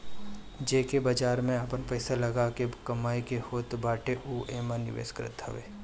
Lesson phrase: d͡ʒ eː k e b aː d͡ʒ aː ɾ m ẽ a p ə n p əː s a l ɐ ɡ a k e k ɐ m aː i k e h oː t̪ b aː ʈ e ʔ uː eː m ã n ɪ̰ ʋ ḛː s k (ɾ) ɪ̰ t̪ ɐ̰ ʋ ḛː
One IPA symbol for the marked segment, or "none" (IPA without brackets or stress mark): ɾ